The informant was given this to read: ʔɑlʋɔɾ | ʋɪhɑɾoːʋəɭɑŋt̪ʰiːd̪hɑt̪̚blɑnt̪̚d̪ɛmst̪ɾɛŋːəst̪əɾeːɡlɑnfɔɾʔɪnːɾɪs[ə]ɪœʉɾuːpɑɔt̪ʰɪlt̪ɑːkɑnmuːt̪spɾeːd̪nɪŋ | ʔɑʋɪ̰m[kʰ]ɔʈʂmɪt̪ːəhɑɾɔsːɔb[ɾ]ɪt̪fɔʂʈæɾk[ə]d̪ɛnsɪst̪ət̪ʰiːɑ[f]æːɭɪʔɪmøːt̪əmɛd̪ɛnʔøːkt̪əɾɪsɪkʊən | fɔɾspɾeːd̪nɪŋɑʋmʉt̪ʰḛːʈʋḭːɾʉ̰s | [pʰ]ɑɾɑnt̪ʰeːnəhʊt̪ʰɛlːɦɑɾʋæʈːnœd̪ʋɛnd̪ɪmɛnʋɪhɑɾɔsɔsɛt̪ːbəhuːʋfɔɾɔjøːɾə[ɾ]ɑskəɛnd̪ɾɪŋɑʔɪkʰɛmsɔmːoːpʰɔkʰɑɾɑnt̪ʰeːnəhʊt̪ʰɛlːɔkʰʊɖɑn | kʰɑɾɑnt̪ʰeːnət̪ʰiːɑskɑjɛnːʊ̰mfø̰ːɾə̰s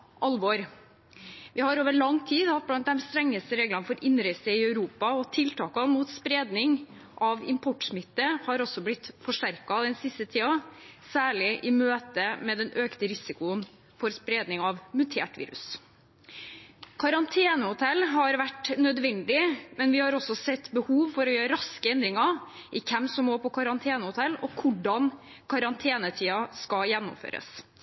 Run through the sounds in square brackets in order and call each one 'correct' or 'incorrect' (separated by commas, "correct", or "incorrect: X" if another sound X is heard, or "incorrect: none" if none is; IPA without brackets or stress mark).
correct, incorrect: pʰ, incorrect: l, incorrect: ɑ, incorrect: s, incorrect: kʰ, correct